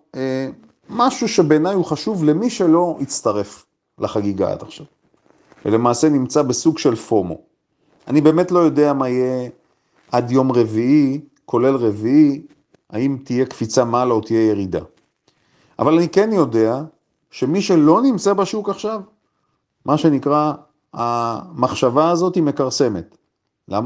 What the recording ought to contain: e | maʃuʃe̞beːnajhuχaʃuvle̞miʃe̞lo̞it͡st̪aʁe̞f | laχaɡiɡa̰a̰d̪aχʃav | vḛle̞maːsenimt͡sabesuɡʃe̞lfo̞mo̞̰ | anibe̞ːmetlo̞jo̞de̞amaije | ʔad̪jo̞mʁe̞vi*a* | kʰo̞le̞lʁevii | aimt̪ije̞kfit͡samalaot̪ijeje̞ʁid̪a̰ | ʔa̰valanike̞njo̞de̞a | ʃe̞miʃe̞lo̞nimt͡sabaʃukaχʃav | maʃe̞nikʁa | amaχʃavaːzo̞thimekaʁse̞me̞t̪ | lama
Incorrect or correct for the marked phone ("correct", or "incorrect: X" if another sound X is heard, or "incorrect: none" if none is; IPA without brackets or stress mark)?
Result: incorrect: i